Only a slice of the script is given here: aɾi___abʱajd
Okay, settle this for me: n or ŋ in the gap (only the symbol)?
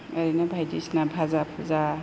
n